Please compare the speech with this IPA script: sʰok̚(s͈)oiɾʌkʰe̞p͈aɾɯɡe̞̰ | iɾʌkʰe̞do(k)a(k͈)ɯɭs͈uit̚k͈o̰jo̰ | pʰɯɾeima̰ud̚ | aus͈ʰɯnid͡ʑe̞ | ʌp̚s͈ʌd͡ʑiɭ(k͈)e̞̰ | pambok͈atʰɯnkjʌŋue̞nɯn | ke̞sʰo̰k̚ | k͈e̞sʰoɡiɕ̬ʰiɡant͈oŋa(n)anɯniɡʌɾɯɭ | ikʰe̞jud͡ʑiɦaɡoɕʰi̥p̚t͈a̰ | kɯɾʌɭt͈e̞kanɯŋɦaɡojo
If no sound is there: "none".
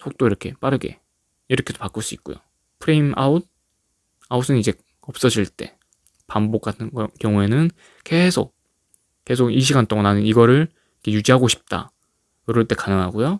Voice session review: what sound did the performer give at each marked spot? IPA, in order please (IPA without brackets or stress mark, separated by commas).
t͈, p, k͈, t͈, n